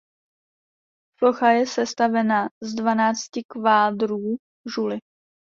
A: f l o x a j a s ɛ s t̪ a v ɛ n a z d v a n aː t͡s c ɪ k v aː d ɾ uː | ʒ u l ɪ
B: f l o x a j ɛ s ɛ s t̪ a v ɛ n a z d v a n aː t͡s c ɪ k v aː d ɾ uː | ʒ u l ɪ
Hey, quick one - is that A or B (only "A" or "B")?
B